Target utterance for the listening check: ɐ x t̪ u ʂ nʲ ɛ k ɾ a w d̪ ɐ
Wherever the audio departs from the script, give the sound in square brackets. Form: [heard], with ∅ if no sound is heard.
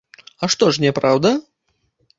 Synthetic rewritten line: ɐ [ʂ] t̪ [ɔ] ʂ nʲ ɛ [p] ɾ a w d̪ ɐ